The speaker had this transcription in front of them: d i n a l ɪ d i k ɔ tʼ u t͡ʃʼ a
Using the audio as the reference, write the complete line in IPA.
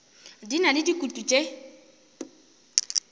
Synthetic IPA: d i n a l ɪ d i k u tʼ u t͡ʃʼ e